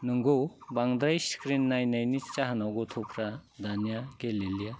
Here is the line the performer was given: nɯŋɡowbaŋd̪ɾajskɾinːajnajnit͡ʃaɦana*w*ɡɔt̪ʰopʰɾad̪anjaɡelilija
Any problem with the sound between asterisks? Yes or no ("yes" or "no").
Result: no